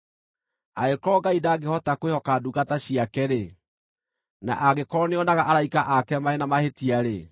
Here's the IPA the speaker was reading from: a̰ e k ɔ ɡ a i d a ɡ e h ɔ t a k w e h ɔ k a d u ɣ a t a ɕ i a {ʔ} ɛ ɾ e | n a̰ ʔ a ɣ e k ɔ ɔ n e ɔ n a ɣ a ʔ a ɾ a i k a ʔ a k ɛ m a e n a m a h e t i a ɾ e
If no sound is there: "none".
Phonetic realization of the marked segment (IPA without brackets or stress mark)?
k